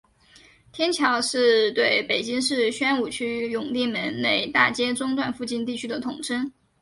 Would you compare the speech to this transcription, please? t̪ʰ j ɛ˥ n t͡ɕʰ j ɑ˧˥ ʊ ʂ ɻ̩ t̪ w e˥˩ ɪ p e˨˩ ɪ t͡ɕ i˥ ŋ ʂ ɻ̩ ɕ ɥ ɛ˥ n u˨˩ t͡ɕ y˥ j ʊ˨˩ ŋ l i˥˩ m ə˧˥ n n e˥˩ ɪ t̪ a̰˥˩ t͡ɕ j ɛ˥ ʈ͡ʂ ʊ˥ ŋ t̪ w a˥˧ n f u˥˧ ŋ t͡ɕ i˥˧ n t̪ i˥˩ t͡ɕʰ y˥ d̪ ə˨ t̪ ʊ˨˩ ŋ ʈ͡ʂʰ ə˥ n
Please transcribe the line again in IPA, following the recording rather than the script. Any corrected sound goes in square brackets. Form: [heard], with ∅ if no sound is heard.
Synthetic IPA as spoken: t̪ʰ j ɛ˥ n t͡ɕʰ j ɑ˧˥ ʊ ʂ ɻ̩ t̪ w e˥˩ ɪ p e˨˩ ɪ t͡ɕ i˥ ŋ ʂ ɻ̩ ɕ ɥ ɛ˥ n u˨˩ [t͡ɕʰ] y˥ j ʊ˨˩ ŋ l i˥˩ m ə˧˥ n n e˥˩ ɪ t̪ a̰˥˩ t͡ɕ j ɛ˥ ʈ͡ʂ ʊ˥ ŋ t̪ w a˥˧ n f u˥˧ [∅] t͡ɕ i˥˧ n t̪ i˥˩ t͡ɕʰ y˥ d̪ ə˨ [t̪ʰ] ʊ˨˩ ŋ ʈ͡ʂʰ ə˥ n

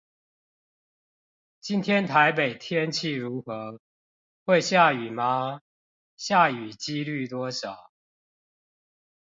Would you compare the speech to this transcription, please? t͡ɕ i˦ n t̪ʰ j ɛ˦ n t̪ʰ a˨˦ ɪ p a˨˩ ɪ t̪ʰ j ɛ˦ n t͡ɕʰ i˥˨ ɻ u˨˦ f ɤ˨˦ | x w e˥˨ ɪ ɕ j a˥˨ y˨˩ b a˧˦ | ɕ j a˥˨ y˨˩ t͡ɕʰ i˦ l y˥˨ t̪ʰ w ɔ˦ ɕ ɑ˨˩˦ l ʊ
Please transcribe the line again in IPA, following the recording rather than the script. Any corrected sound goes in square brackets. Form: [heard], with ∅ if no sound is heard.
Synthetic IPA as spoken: t͡ɕ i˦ n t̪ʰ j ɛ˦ n t̪ʰ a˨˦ ɪ p [e˨˩] ɪ t̪ʰ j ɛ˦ n t͡ɕʰ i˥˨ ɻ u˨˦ [x] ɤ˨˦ | x w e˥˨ ɪ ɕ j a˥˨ y˨˩ [m] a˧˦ | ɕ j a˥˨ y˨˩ [t͡ɕ] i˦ l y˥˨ [t̪] w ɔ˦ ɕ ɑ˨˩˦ [∅] ʊ

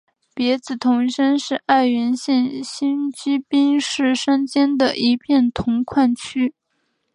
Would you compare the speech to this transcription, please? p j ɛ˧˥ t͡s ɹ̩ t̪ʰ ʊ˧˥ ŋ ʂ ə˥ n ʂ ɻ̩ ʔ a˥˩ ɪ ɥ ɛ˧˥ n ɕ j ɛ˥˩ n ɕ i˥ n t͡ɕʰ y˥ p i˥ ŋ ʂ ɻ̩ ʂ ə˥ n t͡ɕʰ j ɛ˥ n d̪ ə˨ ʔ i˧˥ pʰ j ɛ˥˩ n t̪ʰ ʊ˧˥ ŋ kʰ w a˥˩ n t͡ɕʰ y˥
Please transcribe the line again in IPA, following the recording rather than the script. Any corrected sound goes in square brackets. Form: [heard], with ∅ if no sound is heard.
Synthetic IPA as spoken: p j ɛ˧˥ t͡s ɹ̩ t̪ʰ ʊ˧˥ ŋ ʂ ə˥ n ʂ ɻ̩ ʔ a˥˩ ɪ ɥ ɛ˧˥ n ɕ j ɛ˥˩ n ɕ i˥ n [t͡ɕ] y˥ p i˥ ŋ ʂ ɻ̩ ʂ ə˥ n [t͡ɕ] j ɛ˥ n d̪ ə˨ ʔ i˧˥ pʰ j ɛ˥˩ n t̪ʰ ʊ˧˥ ŋ kʰ w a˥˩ n t͡ɕʰ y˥

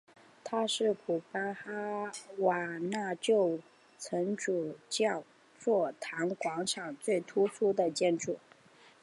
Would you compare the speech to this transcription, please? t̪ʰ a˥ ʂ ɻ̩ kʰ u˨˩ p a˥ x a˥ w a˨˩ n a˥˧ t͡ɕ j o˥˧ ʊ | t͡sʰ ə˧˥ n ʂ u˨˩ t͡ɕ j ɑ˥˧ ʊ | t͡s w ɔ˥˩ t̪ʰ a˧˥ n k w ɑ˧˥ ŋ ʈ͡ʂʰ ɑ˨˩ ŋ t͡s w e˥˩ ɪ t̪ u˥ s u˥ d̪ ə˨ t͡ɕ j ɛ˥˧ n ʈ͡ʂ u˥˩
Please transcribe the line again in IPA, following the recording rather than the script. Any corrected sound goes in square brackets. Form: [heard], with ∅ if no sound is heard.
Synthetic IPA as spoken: t̪ʰ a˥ ʂ ɻ̩ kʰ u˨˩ p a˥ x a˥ w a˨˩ n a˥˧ t͡ɕ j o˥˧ ʊ | t͡sʰ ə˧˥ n [ʈ͡ʂ] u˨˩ t͡ɕ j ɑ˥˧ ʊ | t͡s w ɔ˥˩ t̪ʰ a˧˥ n k w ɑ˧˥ ŋ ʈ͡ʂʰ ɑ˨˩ ŋ t͡s w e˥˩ ɪ [t̪ʰ] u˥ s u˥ d̪ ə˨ t͡ɕ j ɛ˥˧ n ʈ͡ʂ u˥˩

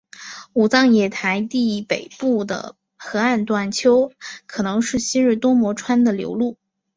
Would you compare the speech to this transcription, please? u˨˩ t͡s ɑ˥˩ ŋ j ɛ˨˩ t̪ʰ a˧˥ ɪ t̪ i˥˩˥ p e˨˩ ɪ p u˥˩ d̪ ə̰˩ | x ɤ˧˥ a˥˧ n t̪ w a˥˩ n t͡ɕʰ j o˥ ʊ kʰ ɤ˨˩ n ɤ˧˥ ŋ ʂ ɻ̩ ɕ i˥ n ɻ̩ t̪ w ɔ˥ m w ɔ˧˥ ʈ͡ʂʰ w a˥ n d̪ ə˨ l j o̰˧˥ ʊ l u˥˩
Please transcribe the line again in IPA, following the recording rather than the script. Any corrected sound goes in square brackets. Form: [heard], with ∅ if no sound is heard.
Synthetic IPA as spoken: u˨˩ t͡s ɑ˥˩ ŋ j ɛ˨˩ t̪ʰ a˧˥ ɪ t̪ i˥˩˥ p e˨˩ ɪ p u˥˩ d̪ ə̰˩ | x ɤ˧˥ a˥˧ n t̪ w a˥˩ n t͡ɕʰ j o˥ ʊ kʰ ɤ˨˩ n ɤ˧˥ ŋ ʂ ɻ̩ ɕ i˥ n ɻ̩ t̪ w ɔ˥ m w ɔ˧˥ ʈ͡ʂʰ w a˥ n d̪ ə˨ l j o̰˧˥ ʊ l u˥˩

